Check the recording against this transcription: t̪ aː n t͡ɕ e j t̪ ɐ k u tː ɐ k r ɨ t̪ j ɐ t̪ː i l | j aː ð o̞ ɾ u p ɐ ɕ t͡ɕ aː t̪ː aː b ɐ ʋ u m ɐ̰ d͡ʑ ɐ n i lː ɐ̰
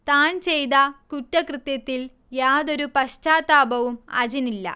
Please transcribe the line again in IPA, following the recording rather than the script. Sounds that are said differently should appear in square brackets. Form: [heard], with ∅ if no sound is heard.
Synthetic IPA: t̪ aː n t͡ɕ e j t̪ ɐ k u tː ɐ k r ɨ t̪ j ɐ t̪ː i l | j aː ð o̞ ɾ u p ɐ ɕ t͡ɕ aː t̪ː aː b ɐ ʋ u m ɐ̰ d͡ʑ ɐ n i lː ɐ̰